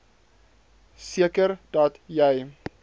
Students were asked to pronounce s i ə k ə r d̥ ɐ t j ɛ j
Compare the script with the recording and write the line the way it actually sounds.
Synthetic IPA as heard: s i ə k ə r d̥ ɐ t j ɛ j